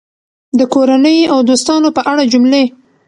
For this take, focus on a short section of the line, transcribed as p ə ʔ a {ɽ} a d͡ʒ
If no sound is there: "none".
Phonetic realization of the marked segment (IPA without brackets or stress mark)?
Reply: ɽ